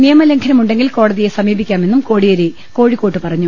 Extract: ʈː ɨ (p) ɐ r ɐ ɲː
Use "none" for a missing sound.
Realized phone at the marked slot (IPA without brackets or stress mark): p